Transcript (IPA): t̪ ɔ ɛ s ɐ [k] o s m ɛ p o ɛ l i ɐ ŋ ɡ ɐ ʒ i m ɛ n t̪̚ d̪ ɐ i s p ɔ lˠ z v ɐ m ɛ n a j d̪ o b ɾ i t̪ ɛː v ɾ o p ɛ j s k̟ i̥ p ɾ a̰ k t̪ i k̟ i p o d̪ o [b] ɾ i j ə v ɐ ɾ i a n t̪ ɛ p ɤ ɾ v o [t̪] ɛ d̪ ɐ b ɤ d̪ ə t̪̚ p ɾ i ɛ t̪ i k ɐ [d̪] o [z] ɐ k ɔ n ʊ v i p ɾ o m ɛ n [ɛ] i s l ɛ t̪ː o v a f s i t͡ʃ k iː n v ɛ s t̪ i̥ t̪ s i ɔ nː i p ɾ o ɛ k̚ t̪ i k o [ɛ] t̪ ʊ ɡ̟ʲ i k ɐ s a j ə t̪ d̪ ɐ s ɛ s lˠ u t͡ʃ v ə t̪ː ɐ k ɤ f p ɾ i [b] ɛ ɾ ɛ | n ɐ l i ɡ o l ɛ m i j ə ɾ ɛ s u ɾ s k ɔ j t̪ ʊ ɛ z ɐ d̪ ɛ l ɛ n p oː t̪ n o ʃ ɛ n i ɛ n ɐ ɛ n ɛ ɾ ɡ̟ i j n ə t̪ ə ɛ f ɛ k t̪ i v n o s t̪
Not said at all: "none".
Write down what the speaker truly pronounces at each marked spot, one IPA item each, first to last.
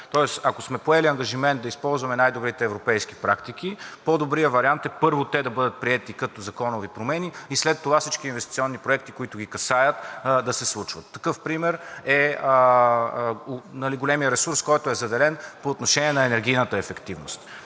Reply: k, b, t̪, t̪, z, i, i, m

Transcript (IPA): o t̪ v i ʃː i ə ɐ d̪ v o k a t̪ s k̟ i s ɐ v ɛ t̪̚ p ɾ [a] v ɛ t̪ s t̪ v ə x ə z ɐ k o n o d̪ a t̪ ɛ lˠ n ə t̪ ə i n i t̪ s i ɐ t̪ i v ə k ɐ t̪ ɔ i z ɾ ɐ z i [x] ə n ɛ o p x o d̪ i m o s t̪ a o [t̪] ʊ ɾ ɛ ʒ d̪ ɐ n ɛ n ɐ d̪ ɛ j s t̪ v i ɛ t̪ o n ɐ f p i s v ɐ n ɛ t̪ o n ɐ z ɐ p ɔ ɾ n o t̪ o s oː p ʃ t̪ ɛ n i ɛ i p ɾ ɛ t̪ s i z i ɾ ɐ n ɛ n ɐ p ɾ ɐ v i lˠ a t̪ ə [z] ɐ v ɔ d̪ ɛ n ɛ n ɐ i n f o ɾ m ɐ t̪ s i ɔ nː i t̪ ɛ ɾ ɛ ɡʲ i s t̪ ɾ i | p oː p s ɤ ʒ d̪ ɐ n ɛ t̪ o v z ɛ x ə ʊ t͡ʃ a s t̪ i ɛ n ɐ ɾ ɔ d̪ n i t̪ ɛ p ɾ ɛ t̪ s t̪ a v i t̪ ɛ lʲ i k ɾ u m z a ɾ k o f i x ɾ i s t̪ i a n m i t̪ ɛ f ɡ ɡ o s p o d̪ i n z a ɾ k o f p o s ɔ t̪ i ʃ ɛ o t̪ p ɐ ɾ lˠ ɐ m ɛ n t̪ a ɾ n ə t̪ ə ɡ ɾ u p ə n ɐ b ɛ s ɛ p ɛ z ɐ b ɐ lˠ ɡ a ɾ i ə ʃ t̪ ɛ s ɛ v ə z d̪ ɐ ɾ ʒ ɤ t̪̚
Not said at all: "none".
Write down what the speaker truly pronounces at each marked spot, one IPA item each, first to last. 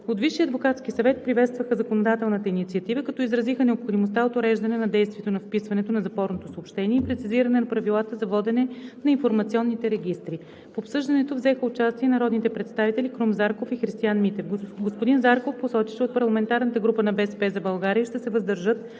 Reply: i, x, t̪, z

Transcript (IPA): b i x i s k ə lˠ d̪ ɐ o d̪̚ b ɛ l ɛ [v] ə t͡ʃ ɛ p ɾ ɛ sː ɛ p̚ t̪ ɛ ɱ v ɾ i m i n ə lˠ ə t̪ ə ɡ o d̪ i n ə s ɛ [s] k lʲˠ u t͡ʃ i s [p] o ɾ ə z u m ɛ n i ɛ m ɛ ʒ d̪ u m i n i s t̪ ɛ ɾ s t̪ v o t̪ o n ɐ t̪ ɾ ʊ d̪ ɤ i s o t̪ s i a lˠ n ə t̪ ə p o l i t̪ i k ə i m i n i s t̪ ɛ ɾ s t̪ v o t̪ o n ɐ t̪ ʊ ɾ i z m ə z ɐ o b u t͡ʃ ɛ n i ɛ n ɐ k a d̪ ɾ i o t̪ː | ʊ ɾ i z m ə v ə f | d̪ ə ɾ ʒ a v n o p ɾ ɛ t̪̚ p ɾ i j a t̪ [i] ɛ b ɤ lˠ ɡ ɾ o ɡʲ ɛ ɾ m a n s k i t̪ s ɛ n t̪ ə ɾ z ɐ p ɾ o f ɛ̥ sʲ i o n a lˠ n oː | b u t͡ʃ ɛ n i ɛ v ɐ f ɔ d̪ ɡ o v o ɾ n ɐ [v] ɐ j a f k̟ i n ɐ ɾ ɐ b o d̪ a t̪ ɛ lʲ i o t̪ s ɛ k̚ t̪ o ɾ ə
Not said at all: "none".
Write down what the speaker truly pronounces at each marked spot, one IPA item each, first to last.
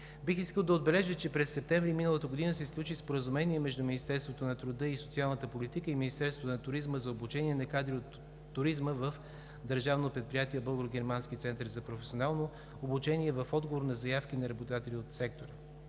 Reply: ʒ, s, p, i, z

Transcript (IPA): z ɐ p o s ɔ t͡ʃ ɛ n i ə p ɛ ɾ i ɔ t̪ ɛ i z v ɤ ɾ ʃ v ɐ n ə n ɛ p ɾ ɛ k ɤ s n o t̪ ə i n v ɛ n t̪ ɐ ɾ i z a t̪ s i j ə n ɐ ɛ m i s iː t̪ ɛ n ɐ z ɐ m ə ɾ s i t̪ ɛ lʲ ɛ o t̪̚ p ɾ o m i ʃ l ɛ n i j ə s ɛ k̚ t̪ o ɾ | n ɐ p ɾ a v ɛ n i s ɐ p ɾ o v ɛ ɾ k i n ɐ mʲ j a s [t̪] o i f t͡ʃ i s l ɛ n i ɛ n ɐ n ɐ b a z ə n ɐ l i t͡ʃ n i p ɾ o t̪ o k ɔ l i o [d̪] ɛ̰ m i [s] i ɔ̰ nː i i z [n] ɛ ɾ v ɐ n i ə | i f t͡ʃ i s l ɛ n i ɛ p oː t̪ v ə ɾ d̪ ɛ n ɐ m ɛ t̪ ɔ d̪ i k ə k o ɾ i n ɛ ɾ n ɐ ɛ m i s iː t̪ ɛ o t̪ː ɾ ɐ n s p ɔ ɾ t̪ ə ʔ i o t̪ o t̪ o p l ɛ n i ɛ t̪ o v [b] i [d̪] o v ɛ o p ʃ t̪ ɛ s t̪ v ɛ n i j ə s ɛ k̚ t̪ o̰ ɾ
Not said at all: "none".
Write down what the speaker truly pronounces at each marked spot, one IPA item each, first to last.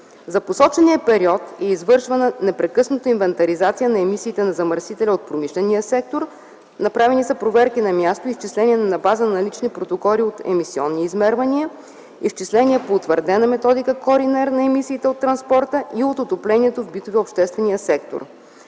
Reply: t̪, t̪, s, m, b, t̪

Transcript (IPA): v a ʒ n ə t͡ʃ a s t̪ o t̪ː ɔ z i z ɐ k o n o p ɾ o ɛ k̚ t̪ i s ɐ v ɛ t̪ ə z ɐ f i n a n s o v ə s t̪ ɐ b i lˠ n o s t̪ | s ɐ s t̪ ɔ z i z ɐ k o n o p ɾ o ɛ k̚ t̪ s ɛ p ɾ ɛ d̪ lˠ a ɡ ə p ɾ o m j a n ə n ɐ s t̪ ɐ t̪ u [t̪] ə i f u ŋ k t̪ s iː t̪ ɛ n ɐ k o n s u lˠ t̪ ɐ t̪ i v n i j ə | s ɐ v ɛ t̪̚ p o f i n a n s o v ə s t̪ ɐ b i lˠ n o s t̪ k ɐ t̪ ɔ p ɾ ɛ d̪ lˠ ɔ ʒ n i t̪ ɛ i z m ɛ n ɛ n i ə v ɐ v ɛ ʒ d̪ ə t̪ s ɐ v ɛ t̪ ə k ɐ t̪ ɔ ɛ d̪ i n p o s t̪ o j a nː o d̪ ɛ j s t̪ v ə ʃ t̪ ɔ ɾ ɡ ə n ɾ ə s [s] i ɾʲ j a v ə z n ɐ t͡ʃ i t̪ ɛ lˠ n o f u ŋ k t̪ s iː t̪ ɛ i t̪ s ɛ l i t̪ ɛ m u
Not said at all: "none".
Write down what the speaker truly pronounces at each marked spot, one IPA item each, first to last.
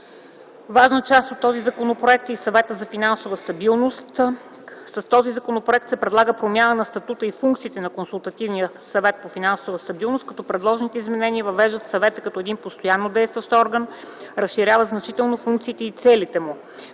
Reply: t̪, ʃ

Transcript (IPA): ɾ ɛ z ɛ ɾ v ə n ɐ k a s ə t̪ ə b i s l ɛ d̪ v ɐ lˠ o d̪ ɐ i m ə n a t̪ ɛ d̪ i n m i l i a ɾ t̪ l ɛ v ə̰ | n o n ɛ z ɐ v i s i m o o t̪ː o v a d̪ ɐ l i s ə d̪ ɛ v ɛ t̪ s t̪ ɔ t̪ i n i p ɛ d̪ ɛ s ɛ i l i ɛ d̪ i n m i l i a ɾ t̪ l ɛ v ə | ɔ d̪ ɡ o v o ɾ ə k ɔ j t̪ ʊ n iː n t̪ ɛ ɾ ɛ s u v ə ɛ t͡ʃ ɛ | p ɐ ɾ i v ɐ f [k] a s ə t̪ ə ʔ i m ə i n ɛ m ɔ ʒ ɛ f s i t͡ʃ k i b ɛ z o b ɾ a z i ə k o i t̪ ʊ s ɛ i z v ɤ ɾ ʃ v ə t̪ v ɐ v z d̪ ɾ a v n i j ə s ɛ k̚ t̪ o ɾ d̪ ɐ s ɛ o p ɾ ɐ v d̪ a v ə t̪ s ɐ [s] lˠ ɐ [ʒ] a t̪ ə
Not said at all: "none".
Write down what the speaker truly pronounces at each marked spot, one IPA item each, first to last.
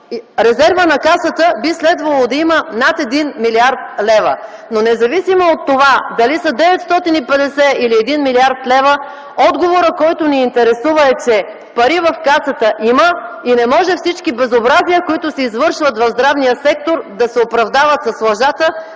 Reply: k, s, ʒ

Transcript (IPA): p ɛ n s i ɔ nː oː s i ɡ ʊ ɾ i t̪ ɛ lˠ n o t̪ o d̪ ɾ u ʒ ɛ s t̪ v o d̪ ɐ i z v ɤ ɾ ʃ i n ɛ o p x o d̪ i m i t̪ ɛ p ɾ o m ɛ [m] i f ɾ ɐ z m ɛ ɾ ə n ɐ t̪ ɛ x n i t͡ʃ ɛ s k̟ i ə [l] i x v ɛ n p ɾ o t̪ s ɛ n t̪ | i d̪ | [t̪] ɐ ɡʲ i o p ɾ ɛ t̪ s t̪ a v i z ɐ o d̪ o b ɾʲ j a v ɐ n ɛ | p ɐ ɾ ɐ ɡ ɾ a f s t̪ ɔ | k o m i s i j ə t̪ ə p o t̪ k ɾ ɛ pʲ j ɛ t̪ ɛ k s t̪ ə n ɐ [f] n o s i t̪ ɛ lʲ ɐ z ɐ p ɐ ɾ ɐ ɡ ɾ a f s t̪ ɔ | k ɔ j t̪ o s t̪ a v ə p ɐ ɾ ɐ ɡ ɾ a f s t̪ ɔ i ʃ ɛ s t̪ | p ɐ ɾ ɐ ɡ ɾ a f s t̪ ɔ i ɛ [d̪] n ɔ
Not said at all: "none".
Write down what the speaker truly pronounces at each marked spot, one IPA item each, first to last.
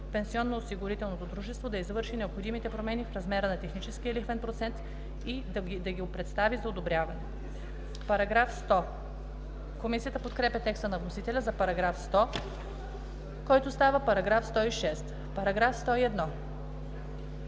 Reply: n, l, d̪, v, d̪

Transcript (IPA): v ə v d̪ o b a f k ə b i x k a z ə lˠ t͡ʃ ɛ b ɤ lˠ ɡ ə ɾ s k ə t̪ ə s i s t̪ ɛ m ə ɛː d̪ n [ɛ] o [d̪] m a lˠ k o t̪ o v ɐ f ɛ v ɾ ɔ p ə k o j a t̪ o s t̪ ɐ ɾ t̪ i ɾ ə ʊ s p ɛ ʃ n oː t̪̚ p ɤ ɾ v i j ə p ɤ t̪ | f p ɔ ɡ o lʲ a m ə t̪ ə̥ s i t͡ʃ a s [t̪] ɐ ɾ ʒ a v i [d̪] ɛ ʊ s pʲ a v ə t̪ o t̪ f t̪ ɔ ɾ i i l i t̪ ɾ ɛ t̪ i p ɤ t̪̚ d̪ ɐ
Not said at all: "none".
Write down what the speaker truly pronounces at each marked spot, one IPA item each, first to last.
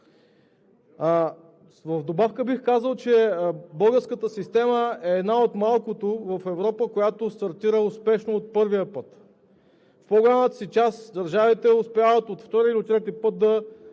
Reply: a, t̪, d̪, t̪

